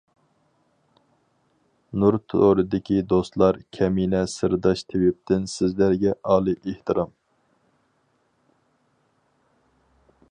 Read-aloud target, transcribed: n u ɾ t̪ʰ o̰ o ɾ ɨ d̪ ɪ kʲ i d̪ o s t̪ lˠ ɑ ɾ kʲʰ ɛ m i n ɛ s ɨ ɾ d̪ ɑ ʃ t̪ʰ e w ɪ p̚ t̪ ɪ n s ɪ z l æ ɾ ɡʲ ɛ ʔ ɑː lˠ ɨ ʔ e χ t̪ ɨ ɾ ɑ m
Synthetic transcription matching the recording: n u ɾ t̪ʰ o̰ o ɾ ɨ d̪ ɪ kʲ i d̪ o s t̪ lˠ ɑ ɾ kʲʰ ɛ m i n ɛ s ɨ ɾ d̪ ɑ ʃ t̪ʰ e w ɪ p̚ t̪ ɪ n s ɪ z l æ ɾ ɡʲ ɛ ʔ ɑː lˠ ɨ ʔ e h t̪ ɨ ɾ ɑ m